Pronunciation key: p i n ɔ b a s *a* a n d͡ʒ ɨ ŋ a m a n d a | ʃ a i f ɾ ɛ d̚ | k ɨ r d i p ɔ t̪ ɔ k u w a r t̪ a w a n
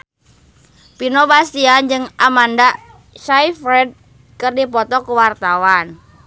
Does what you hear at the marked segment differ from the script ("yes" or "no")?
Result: yes